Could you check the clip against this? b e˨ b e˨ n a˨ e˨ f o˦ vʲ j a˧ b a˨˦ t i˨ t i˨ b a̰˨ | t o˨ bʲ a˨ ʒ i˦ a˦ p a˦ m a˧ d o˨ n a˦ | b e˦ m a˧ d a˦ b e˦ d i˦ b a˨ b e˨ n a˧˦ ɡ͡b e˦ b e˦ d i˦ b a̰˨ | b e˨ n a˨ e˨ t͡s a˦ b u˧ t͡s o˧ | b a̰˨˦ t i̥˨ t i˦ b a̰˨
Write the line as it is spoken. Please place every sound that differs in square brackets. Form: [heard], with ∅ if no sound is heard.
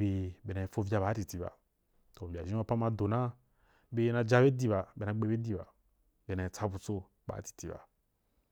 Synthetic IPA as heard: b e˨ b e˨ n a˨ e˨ f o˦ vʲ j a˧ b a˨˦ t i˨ t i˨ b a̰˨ | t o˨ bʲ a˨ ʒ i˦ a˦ p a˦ m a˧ d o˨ n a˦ | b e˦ [n] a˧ [d͡ʒ] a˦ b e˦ d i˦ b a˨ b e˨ n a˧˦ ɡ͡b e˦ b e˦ d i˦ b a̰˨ | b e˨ n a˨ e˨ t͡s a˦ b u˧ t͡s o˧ | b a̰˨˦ t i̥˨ t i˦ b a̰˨